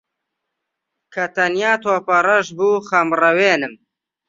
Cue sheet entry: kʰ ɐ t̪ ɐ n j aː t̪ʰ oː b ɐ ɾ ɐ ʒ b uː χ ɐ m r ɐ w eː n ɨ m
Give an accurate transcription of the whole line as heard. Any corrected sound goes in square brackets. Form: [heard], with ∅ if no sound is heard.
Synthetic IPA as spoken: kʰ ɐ t̪ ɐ n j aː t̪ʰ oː [p] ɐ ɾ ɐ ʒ b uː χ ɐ m r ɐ w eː n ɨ m